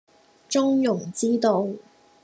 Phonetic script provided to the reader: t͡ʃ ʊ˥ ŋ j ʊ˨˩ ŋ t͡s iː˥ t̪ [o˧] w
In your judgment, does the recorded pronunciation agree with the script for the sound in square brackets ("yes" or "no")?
yes